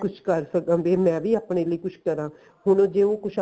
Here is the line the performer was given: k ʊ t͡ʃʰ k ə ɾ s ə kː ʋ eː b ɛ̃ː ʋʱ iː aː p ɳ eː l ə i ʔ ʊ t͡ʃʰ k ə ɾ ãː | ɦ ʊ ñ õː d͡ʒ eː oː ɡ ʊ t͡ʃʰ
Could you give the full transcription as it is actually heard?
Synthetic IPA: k ʊ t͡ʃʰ k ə ɾ s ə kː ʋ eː m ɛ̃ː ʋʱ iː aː p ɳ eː l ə i k ʊ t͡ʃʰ k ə ɾ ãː | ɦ ʊ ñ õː d͡ʒ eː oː k ʊ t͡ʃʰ

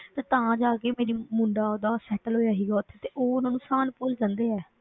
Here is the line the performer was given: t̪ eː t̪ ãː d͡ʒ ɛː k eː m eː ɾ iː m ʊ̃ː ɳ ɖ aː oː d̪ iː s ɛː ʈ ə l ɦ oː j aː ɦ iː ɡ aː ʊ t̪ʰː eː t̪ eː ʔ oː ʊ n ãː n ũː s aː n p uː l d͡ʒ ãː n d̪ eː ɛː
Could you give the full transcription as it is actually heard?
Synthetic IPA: t̪ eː t̪ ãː d͡ʒ aː k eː m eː ɾ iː m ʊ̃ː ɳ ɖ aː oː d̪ aː s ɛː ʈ ə l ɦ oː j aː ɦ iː ɡ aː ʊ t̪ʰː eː t̪ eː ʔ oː ʊ n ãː n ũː s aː n p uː l d͡ʒ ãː n d̪ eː ɛː

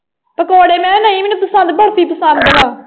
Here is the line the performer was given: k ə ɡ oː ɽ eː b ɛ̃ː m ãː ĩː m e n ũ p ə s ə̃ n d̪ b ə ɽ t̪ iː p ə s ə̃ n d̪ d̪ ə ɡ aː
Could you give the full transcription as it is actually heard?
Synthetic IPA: p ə k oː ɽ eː m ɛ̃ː n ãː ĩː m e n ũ p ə s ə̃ n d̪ b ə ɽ t̪ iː p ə s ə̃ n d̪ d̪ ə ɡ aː

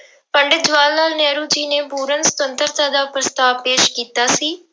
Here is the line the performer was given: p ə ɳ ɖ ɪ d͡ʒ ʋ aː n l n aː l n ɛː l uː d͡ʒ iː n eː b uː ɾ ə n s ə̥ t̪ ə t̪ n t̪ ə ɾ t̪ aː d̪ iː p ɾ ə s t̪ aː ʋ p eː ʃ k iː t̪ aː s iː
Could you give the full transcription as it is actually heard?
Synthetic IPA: p ə ɳ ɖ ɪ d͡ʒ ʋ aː l n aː l n ɛː ɾ uː d͡ʒ iː n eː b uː ɾ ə n s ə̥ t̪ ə n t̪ ə ɾ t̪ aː d̪ aː p ɾ ə s t̪ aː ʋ p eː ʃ k iː t̪ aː s iː

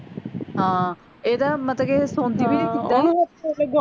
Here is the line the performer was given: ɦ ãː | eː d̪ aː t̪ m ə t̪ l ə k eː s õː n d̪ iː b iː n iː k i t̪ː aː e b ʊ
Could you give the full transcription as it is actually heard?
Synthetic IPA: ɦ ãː | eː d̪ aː m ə t̪ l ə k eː s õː n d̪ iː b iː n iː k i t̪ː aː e ɡ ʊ

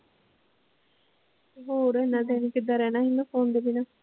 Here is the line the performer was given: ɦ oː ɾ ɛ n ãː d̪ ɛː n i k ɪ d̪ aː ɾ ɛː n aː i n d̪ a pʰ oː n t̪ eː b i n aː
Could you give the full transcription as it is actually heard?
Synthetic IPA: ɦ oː ɾ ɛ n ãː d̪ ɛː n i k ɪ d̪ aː ɾ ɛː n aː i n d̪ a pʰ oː n d̪ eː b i n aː

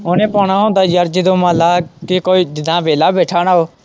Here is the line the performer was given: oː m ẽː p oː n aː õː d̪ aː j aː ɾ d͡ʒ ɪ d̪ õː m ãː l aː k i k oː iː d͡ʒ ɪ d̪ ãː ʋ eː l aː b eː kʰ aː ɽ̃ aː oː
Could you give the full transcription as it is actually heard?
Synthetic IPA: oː n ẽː p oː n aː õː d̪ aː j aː ɾ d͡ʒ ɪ d̪ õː m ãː l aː k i k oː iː d͡ʒ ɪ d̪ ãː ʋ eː l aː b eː ʈʰ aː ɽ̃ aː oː

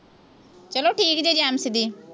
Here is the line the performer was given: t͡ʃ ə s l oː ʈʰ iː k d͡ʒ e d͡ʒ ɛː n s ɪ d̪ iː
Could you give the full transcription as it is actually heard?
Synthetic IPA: t͡ʃ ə l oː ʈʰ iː k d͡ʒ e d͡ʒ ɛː m s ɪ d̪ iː

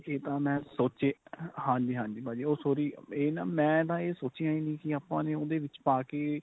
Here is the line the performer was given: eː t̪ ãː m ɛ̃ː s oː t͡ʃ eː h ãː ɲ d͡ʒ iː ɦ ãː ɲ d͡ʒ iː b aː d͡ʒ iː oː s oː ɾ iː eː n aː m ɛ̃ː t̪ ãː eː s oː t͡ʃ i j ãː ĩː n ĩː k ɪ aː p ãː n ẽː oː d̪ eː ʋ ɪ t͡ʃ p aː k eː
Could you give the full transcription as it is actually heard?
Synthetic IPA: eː t̪ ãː m ɛ̃ː s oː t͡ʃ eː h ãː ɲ d͡ʒ iː ɦ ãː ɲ d͡ʒ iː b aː d͡ʒ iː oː s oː ɾ iː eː n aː m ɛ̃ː t̪ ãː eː s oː t͡ʃ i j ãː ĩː n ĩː k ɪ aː p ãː n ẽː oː d̪ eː ʋ ɪ t͡ʃ p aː k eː

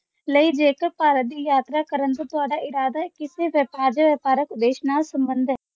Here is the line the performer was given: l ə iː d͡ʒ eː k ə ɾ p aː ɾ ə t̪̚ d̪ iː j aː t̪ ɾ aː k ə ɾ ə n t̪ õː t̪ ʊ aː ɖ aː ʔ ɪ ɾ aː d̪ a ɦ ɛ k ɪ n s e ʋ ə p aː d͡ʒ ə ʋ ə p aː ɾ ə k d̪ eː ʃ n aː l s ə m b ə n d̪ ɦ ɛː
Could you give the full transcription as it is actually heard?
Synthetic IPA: l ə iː d͡ʒ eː k ə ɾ p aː ɾ ə t̪̚ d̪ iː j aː t̪ ɾ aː k ə ɾ ə n t̪ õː t̪ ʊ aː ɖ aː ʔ ɪ ɾ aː d̪ a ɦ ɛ k ɪ s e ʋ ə p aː d͡ʒ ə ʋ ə p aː ɾ ə k d̪ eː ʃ n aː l s ə m b ə n d̪ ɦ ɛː

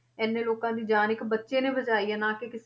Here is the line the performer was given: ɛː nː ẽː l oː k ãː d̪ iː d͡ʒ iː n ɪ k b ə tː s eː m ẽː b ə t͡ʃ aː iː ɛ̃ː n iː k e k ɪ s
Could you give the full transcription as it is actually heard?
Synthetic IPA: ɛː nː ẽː l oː k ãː d̪ iː d͡ʒ aː n ɪ k b ə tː ʃ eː n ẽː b ə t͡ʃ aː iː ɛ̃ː n aː k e k ɪ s

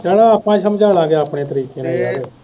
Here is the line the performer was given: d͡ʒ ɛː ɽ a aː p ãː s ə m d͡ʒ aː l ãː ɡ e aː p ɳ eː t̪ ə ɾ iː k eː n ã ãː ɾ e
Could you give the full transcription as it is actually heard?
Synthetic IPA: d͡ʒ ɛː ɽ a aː p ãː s ə m d͡ʒ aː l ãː ɡ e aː p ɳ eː t̪ ə ɾ iː k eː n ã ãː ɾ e

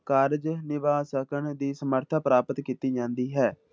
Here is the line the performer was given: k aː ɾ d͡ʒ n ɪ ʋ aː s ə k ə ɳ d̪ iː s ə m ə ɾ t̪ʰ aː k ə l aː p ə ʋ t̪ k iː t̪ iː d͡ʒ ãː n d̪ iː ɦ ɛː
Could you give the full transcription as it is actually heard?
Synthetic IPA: k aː ɾ d͡ʒ n ɪ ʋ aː s ə k ə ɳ d̪ iː s ə m ə ɾ t̪ʰ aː p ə ɾ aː p ə t̪ k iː t̪ iː d͡ʒ ãː n d̪ iː ɦ ɛː

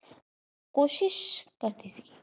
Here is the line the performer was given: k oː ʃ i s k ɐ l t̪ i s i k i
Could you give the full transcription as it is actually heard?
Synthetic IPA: k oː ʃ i ʃ k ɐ ɾ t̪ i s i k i

